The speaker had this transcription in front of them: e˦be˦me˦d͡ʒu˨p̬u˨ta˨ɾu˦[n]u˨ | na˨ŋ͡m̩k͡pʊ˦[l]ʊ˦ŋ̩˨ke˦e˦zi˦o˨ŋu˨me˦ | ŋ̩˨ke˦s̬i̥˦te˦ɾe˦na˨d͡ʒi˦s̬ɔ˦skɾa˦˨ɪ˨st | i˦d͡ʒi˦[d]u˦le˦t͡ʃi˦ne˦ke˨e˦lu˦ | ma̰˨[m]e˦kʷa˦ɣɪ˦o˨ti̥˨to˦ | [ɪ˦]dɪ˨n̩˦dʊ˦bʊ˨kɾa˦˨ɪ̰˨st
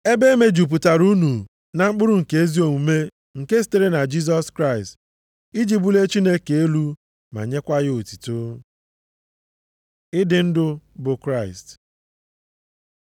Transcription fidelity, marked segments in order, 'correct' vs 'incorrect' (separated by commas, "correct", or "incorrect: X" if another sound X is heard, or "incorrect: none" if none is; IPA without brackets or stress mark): correct, incorrect: ɾ, incorrect: b, incorrect: ɲ, correct